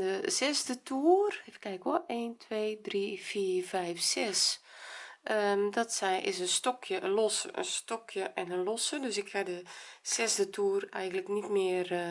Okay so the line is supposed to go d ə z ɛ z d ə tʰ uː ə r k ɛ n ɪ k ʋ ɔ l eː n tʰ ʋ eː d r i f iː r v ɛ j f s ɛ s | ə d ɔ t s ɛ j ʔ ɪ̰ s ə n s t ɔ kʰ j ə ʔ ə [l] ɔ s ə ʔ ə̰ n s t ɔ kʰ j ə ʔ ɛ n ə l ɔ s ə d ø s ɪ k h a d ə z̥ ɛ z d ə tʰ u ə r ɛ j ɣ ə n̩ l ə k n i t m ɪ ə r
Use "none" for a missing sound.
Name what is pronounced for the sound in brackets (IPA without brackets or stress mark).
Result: l